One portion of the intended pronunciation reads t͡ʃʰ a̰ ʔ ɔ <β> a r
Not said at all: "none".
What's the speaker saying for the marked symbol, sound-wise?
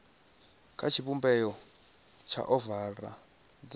v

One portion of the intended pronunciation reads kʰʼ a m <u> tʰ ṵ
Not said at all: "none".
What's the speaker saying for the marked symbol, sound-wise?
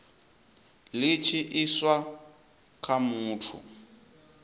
uː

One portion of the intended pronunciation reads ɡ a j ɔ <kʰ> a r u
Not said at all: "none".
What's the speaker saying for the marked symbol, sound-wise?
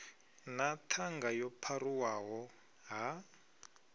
pʰ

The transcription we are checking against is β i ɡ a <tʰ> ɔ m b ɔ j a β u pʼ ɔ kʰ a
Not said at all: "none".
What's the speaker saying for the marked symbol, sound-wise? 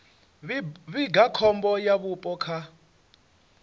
kʰ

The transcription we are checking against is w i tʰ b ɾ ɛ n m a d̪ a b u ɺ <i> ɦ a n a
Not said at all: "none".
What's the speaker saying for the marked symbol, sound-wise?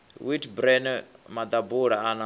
a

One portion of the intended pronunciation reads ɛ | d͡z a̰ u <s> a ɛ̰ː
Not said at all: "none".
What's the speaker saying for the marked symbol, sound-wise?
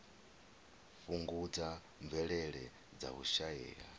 ʃ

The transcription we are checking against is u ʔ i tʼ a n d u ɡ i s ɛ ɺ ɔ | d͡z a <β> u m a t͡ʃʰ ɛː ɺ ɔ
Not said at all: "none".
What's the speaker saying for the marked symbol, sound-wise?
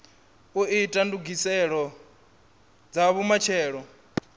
β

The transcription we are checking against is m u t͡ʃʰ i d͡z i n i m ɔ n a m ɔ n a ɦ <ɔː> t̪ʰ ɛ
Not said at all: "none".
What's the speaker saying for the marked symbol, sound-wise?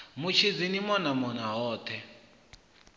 ɔː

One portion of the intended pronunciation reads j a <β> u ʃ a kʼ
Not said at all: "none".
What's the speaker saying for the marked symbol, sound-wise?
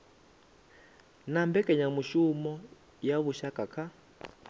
β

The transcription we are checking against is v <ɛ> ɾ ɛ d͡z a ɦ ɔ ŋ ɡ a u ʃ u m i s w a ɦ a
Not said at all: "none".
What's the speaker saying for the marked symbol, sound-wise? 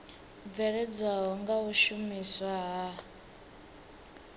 ɛ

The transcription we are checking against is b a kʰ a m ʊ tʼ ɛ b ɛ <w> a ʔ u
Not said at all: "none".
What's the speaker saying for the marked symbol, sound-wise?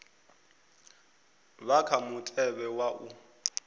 w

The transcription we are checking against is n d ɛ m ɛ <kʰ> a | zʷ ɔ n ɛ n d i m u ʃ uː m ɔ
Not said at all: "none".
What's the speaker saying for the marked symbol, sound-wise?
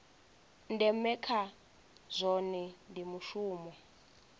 kʰ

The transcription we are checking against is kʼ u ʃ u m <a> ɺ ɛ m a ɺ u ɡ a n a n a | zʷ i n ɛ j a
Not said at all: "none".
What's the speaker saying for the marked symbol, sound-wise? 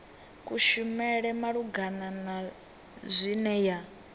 ɛ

